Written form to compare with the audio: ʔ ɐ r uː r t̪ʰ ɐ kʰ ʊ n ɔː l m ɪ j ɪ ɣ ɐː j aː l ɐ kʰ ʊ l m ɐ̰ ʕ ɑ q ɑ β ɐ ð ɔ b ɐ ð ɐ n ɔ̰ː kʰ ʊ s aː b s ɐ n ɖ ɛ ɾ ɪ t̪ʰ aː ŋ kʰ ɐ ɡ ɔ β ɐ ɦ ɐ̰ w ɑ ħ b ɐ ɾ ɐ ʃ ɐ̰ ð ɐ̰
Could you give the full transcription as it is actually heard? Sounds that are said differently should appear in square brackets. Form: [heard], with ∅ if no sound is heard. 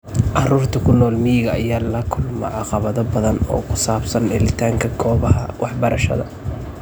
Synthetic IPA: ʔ [ɑ] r uː r t̪ʰ ɐ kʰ ʊ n ɔː l m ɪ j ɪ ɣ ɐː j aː l ɐ kʰ ʊ l m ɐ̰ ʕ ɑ q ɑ β ɐ ð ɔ b ɐ ð ɐ n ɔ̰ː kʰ ʊ s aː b s ɐ n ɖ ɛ [l] ɪ t̪ʰ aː ŋ kʰ ɐ ɡ [ɔː] β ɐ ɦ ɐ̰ w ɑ ħ b ɐ ɾ ɐ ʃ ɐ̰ ð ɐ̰